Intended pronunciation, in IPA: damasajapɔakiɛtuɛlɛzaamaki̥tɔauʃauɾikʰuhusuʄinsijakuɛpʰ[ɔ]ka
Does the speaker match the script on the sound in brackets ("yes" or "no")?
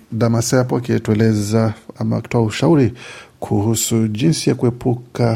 no